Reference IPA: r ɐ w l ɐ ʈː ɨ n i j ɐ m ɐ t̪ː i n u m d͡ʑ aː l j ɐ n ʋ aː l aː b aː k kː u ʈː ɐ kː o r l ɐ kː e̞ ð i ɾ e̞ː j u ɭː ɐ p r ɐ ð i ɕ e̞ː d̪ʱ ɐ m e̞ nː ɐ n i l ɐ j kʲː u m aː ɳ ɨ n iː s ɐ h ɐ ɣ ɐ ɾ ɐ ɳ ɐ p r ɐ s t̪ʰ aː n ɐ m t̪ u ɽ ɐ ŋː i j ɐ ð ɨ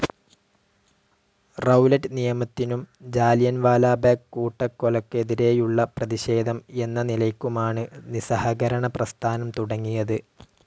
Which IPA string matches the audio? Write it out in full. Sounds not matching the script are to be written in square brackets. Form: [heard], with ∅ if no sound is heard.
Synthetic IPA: r ɐ w l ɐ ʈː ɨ n i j ɐ m ɐ t̪ː i n u m d͡ʑ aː l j ɐ n ʋ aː l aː b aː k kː [uː] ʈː ɐ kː o [∅] l ɐ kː e̞ ð i ɾ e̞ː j u ɭː ɐ p r ɐ ð i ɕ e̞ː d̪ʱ ɐ m e̞ nː ɐ n i l ɐ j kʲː u m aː ɳ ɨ n [i] s ɐ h ɐ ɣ ɐ ɾ ɐ ɳ ɐ p r ɐ s t̪ʰ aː n ɐ m t̪ u ɽ ɐ ŋː i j ɐ ð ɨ